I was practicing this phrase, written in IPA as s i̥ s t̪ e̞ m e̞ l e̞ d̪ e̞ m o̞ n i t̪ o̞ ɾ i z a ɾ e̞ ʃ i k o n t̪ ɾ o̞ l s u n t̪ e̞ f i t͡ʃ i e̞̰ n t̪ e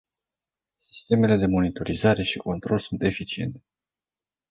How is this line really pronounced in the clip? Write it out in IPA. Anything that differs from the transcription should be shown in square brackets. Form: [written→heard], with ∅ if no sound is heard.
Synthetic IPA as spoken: s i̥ s t̪ e̞ m e̞ l e̞ d̪ e̞ m o̞ n i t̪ o̞ ɾ i z a ɾ e̞ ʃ i k o n t̪ ɾ o̞ l s u n t̪ e̞ f i t͡ʃ i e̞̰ n t̪ e